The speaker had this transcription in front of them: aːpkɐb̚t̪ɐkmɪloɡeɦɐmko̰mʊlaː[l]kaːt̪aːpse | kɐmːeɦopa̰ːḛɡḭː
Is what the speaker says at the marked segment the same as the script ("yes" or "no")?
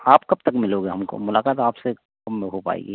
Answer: no